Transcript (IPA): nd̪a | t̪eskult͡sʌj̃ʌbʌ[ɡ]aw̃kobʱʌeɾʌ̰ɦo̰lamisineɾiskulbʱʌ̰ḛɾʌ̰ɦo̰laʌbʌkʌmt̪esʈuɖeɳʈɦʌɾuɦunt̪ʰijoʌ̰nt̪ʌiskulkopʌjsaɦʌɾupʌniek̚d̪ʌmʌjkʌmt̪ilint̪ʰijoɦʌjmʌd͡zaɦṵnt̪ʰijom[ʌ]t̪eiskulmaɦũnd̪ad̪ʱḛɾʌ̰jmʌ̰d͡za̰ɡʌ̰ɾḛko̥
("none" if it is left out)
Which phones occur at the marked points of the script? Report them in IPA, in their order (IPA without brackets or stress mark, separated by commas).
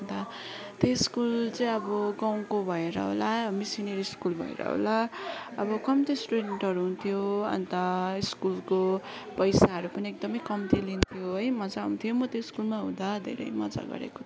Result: ɡ, ʌ